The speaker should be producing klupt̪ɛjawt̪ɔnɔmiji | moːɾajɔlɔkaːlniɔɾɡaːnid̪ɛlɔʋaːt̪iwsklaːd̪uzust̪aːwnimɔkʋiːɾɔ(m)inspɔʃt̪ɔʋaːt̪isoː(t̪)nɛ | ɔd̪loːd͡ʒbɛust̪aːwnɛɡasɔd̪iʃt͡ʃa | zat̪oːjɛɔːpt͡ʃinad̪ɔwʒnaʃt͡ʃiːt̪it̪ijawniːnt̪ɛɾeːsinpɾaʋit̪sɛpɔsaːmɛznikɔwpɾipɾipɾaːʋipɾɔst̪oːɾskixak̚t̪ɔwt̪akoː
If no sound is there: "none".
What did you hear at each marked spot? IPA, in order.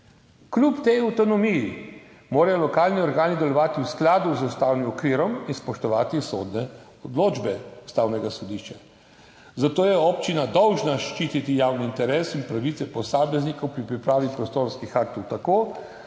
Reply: m, d̪

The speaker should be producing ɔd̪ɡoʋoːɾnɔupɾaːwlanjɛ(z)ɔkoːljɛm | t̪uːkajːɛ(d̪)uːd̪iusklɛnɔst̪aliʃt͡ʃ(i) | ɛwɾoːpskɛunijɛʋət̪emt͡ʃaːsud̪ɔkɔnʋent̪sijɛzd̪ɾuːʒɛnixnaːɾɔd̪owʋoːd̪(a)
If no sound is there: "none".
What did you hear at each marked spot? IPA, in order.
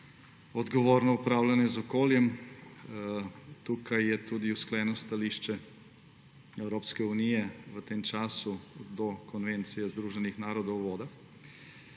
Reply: z, t̪, ɛ, a

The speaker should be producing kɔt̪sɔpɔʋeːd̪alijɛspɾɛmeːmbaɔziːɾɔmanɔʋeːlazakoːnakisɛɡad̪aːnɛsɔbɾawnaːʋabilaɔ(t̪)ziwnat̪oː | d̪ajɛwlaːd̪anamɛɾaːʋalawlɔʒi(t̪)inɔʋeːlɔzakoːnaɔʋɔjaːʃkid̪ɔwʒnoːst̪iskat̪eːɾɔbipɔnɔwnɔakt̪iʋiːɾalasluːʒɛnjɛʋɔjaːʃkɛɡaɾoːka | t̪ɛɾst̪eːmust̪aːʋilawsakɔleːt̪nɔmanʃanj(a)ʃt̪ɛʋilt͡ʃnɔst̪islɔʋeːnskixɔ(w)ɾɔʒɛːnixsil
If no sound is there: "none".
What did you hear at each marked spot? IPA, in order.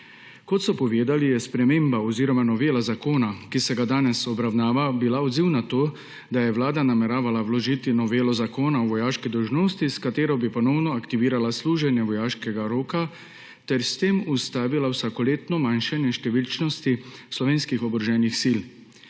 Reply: d̪, t̪, ɛ, b

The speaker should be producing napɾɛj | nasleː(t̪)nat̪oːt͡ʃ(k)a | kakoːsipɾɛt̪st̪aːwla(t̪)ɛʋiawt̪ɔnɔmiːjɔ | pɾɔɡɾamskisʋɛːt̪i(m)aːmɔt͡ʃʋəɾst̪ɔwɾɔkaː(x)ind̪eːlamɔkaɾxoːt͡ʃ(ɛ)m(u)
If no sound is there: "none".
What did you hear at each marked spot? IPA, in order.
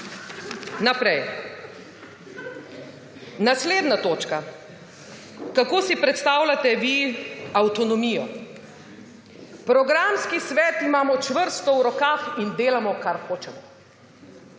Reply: d̪, k, t̪, m, x, ɛ, ɔ

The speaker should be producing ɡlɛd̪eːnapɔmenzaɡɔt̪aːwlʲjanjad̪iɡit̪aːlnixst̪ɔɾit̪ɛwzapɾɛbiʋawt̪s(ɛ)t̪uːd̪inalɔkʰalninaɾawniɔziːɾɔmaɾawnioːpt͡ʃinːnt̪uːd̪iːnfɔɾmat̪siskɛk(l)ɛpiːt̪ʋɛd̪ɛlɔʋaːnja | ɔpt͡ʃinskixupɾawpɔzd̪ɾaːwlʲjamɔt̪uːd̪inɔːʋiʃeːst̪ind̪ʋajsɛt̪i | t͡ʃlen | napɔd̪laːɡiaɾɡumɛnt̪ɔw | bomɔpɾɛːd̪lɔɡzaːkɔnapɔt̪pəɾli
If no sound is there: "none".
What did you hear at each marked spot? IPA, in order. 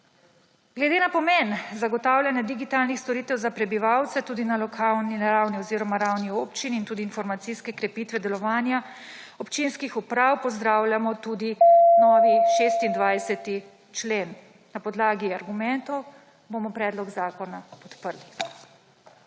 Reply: ɛ, ɾ

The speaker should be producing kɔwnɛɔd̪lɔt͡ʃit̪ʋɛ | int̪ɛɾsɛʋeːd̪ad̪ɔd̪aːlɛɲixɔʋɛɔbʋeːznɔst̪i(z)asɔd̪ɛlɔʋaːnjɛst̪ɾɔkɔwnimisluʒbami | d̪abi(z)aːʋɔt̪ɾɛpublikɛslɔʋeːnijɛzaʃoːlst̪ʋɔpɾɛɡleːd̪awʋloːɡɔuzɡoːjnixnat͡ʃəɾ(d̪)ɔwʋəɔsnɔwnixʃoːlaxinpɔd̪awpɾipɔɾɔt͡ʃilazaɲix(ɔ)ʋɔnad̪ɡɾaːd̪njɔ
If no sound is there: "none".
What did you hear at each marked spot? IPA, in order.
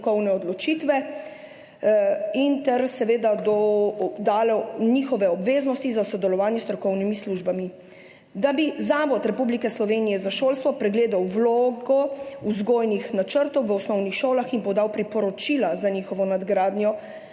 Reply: z, z, t̪, ɔ

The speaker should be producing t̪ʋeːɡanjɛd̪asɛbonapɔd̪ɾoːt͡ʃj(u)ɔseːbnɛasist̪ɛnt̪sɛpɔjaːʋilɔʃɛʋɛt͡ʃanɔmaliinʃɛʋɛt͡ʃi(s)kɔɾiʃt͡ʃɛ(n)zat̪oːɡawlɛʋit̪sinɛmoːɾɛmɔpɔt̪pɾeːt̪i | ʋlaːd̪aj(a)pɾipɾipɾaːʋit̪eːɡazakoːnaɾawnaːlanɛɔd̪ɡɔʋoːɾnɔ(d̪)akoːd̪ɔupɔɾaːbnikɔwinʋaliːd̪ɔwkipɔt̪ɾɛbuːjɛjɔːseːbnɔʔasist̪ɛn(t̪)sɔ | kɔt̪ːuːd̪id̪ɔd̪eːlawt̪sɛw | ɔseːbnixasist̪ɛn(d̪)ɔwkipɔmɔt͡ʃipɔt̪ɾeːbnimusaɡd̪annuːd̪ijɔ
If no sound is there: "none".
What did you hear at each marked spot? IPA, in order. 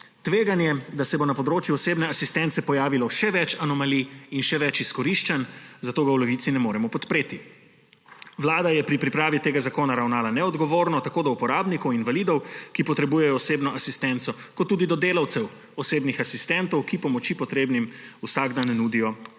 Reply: u, s, n, ɛ, t̪, t̪, t̪

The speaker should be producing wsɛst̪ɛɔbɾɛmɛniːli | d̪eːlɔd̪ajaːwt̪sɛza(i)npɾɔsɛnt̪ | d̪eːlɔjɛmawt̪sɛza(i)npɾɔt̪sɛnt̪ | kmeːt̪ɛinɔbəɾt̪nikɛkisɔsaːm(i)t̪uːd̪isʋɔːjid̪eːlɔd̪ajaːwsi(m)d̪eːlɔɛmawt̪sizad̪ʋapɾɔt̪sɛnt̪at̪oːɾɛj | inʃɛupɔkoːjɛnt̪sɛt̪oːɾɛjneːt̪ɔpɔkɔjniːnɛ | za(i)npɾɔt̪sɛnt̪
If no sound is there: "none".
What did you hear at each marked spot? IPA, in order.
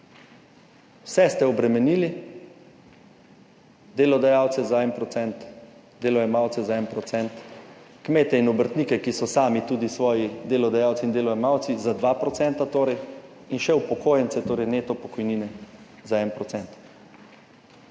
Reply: ɛ, ɛ, i, n, ɛ

